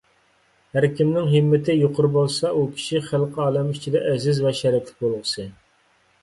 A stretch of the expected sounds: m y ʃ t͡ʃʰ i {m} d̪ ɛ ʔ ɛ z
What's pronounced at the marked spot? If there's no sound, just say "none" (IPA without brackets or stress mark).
none